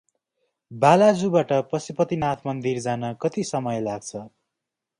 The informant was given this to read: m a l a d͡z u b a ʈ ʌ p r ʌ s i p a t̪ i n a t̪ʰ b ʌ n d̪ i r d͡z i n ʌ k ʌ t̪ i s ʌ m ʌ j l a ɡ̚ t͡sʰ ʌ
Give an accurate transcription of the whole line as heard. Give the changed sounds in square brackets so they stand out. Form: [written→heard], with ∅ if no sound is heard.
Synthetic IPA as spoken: [m→b] a l a d͡z u b a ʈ ʌ p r ʌ s i p [a→ʌ] t̪ i n a t̪ʰ [b→m] ʌ n d̪ i r d͡z [i→a] n ʌ k ʌ t̪ i s ʌ m ʌ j l a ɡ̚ t͡sʰ ʌ